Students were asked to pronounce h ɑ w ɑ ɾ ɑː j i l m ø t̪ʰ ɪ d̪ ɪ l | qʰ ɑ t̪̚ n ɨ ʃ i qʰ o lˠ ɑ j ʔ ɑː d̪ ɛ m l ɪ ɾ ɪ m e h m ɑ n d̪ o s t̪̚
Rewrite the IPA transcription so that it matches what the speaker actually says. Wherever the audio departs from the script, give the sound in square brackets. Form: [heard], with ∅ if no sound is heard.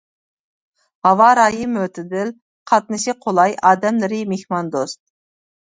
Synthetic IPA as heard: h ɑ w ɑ ɾ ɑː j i [∅] m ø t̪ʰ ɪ d̪ ɪ l | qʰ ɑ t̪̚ n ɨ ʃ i qʰ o lˠ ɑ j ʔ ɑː d̪ ɛ m l ɪ ɾ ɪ m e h m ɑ n d̪ o s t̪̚